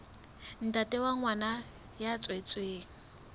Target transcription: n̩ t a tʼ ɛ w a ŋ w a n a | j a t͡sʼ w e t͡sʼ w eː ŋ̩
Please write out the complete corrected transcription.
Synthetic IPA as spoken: n̩ t a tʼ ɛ w a ŋ w a n a | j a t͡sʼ w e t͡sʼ w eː ŋ̩